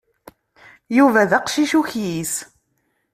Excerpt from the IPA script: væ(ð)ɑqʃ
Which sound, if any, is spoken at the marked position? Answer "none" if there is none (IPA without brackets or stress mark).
ð